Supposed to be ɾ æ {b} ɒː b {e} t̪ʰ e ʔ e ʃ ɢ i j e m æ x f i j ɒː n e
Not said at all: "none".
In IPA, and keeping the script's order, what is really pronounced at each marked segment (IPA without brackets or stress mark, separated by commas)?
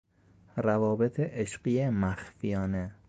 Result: v, e